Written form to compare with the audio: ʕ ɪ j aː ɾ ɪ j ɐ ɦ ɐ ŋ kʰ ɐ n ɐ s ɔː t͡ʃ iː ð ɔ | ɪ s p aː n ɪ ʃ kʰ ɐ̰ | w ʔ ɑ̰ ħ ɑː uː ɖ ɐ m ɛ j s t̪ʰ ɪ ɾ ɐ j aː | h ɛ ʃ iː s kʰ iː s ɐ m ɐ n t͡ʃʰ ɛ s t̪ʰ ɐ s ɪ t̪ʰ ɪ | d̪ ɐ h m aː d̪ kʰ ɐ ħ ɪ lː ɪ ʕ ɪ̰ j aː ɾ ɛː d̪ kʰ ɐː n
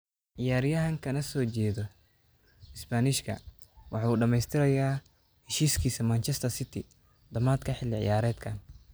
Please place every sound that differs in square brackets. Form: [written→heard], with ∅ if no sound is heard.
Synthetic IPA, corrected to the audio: ʕ ɪ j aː ɾ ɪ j ɐ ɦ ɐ ŋ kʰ ɐ n ɐ s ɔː t͡ʃ [iː→ɛː] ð ɔ | ɪ s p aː n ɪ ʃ kʰ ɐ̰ | w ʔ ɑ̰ ħ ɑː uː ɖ ɐ m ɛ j s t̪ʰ ɪ ɾ ɐ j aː | h ɛ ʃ iː s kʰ iː s ɐ m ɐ n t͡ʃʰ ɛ s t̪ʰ ɐ s ɪ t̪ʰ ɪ | d̪ ɐ [h→∅] m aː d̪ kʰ ɐ ħ ɪ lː ɪ ʕ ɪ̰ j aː ɾ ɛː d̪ kʰ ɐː n